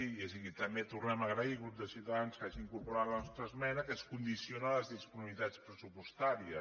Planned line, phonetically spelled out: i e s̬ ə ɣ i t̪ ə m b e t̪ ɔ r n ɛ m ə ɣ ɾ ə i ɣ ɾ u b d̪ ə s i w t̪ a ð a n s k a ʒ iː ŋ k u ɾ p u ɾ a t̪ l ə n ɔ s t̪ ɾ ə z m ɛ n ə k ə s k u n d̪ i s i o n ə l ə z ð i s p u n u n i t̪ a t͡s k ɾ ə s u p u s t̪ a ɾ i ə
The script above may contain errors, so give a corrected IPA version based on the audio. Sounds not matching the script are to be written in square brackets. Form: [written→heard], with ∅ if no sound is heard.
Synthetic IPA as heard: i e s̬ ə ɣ i t̪ ə m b e t̪ [ɔ→u] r n ɛ m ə ɣ ɾ ə i ɣ ɾ u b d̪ ə s i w t̪ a ð a n s k a ʒ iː ŋ k u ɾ p u ɾ a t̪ l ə n ɔ s t̪ ɾ ə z m ɛ n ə k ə s k u n d̪ i s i o n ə l ə z ð i s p u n u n i t̪ a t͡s [k→p] ɾ ə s u p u s t̪ a ɾ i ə

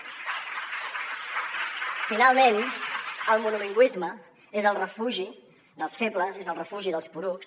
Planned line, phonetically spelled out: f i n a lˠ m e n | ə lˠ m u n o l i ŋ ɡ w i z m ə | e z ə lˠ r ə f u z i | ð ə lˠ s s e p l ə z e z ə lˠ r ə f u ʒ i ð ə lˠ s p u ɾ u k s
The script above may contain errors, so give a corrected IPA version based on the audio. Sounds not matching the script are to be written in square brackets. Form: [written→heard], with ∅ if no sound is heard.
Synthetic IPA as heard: f i n a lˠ m e n | ə lˠ m u n [o→u] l i ŋ ɡ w i z m ə | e z ə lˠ r ə f u [z→ʒ] i | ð ə lˠ s [s→f] e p l ə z e z ə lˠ r ə f u ʒ i ð ə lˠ s p u ɾ u k s

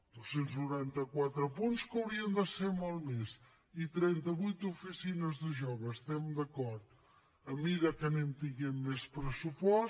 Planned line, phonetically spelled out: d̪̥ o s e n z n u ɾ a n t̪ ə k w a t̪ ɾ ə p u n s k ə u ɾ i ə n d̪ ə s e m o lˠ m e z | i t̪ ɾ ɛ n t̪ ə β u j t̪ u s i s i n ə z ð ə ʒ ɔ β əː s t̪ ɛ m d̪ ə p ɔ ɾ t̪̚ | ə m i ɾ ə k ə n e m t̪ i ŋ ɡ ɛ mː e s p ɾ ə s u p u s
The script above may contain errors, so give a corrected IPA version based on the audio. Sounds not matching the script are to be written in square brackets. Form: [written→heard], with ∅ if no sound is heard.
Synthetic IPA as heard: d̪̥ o s e n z n u ɾ a n t̪ ə k w a t̪ ɾ ə p u n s k ə [u→w] ɾ i ə n d̪ ə s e m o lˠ m e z | i t̪ ɾ ɛ n t̪ ə β u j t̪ u [s→f] i s i n ə z ð ə ʒ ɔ β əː s t̪ ɛ m d̪ ə [p→k] ɔ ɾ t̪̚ | ə m i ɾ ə k ə n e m t̪ i ŋ ɡ ɛ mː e s p ɾ ə s u p [u→ɔ] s

